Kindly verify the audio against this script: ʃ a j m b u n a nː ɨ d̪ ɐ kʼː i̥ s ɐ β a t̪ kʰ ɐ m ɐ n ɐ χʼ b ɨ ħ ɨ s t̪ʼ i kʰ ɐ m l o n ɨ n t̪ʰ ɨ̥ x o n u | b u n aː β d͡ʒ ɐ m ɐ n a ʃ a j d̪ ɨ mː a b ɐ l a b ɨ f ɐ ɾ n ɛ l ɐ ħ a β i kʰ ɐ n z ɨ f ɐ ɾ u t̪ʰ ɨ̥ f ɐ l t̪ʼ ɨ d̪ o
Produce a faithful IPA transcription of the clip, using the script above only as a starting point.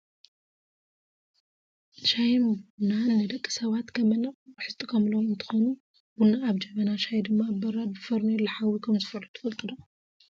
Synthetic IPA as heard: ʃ a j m b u n a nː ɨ d̪ ɐ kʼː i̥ s ɐ β a t̪ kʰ ɐ m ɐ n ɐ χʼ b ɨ ħ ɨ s t̪ʼ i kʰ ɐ m l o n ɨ n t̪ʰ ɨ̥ x o n u | b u n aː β d͡ʒ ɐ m ɐ n a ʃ a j d̪ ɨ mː a b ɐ ɾ a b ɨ f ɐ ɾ n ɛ l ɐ ħ a w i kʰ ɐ m z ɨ f ɐ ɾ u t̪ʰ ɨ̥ f ɐ l t̪ʼ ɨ d̪ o